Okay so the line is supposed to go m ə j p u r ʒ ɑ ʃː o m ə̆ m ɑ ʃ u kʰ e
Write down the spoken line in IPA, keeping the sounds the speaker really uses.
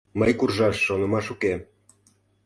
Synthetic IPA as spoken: m ə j k u r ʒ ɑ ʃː o n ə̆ m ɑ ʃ u k e